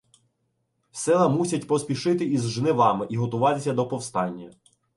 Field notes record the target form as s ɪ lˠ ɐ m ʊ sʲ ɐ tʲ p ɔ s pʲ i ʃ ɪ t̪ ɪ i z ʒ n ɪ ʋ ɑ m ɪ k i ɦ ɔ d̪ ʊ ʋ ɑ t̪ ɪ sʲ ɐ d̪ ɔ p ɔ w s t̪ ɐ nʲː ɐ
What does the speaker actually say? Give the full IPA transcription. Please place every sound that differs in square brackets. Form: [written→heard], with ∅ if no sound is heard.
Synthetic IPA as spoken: s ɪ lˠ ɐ m [ʊ→u] sʲ ɐ tʲ p ɔ s pʲ i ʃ ɪ t̪ ɪ i z ʒ n ɪ ʋ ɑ m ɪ [k→ʔ] i ɦ ɔ [d̪→t̪] ʊ ʋ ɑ t̪ ɪ sʲ ɐ d̪ ɔ p ɔ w s t̪ [ɐ→ɑ] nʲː ɐ